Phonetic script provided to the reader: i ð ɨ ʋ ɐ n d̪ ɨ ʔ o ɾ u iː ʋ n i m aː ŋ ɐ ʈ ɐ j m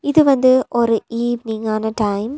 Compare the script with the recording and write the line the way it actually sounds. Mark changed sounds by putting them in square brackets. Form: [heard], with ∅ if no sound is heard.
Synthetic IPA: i ð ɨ ʋ ɐ n d̪ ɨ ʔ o ɾ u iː ʋ n i [ŋ] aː [n] ɐ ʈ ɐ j m